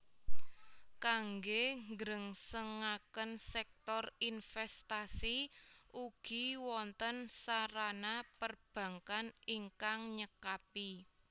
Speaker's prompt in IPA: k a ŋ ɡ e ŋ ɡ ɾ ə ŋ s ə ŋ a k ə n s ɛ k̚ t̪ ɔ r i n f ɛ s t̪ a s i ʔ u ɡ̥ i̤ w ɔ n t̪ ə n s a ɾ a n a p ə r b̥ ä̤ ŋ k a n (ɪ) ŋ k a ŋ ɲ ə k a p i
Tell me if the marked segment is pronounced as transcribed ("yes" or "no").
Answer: no